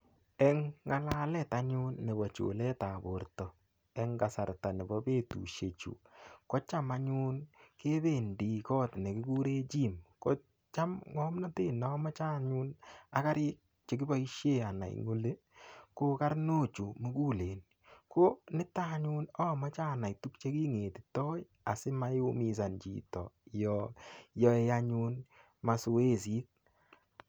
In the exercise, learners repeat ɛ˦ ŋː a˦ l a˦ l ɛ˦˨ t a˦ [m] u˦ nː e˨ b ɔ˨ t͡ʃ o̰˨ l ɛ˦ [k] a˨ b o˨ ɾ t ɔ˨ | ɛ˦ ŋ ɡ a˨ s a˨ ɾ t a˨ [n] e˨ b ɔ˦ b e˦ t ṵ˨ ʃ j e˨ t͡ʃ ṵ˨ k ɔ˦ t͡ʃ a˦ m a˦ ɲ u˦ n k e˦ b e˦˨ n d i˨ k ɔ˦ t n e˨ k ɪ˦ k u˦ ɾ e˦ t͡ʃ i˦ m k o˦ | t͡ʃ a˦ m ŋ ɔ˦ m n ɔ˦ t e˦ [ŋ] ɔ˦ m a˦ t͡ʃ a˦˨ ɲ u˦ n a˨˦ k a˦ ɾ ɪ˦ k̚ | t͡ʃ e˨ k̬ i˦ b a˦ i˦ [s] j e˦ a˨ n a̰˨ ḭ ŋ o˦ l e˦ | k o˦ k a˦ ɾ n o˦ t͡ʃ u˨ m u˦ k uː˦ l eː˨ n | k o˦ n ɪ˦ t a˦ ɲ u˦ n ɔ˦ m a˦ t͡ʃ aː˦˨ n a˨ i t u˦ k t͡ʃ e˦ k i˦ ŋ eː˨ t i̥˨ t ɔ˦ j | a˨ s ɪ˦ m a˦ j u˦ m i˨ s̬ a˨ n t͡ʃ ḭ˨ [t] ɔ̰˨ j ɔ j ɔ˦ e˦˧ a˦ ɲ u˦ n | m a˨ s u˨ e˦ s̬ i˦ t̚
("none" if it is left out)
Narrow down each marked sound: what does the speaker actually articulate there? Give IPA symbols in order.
ɲ, t, n, n, ʃ, t

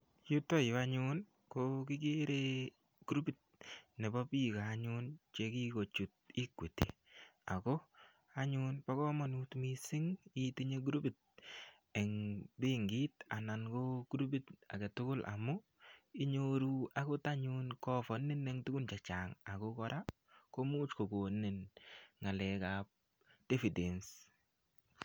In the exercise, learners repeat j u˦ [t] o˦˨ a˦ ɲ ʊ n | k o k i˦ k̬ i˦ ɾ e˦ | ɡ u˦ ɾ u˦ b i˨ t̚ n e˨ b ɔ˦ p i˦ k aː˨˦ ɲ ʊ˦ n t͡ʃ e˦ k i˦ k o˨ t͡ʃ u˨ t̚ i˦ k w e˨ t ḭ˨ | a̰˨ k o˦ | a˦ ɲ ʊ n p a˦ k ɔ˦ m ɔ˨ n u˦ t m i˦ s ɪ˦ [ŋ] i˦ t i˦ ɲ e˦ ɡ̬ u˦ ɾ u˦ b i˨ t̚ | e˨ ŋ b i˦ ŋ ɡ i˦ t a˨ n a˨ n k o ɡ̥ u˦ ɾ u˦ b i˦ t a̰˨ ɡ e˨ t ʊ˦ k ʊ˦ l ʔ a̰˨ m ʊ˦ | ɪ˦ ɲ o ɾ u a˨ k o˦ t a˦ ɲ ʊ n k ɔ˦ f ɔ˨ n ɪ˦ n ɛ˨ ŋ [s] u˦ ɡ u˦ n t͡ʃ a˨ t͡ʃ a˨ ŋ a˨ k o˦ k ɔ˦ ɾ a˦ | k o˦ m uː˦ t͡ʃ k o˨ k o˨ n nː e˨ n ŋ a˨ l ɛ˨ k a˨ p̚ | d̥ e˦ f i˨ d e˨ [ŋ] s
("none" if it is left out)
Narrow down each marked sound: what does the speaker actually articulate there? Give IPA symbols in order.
t, ŋ, t, n

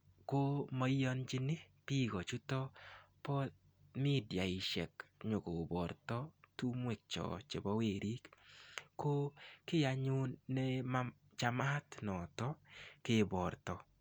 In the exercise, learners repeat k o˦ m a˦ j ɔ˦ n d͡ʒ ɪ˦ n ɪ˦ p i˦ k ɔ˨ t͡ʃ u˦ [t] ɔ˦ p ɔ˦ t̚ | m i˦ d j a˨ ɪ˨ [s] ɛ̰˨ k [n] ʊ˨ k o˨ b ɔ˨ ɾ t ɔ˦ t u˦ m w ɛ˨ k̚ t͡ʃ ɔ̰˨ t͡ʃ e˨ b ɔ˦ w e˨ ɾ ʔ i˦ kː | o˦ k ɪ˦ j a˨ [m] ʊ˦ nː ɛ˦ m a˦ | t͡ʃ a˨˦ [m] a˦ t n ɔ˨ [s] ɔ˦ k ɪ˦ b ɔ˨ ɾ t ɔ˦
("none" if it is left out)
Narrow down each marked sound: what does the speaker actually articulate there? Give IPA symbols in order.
t, ʃ, ɲ, ɲ, m, t

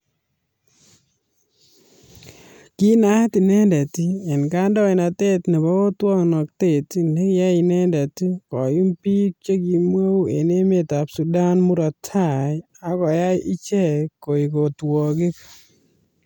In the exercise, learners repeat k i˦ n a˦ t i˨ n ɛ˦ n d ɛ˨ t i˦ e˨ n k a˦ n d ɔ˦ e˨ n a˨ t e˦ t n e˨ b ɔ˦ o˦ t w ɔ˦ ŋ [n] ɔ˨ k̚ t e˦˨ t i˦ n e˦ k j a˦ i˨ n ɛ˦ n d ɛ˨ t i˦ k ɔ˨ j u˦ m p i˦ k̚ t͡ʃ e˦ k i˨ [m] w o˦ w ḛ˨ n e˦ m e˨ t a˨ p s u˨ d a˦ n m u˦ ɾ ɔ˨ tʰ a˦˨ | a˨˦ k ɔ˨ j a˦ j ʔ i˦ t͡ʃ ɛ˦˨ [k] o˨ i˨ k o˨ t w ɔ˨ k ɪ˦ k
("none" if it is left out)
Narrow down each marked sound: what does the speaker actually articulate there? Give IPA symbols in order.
n, m, k

